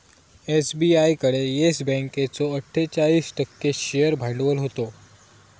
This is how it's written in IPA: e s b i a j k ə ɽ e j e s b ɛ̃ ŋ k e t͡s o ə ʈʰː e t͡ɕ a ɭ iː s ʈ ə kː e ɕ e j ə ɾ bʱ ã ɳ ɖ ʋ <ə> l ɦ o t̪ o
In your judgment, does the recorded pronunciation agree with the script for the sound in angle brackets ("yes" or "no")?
yes